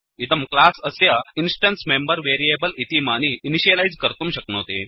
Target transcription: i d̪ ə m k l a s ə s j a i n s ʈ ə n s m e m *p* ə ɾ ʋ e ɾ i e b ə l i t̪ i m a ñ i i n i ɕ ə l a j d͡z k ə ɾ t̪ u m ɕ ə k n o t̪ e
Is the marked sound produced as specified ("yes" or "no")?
no